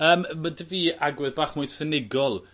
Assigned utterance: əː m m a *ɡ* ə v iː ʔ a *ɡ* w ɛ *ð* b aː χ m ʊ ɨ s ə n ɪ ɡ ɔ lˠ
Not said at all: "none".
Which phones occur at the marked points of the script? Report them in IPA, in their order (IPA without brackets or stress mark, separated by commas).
d, ɡ, ð